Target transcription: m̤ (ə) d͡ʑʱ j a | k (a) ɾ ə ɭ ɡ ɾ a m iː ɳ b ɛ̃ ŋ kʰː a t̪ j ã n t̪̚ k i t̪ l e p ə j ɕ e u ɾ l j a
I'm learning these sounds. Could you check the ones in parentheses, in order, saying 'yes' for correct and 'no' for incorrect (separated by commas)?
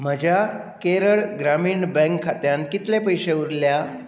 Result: yes, no